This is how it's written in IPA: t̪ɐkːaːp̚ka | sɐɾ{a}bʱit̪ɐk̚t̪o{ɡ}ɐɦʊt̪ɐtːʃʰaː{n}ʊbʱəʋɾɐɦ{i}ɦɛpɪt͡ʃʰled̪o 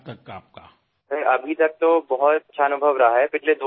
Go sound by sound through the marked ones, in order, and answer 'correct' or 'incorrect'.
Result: incorrect, incorrect, correct, incorrect

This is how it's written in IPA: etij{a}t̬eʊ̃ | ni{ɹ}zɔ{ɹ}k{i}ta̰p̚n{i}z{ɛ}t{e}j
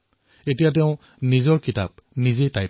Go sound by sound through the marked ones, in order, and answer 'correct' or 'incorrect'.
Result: correct, incorrect, correct, correct, correct, incorrect, incorrect

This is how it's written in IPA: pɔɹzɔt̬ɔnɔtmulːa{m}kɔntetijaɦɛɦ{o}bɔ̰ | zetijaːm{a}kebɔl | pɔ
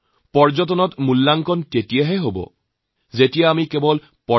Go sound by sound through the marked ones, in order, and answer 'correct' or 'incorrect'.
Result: incorrect, correct, incorrect

